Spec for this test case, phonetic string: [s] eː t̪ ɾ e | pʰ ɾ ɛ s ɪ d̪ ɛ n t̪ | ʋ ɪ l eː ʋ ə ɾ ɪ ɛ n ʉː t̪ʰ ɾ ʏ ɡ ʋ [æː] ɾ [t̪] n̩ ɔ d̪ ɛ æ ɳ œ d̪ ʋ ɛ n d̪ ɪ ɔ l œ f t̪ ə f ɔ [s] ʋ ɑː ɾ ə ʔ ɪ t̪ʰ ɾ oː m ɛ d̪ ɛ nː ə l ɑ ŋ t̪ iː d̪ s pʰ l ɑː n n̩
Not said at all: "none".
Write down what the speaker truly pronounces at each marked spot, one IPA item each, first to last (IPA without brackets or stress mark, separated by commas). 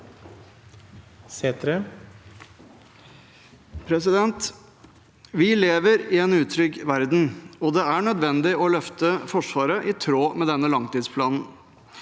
s, æ, d̪, ʂ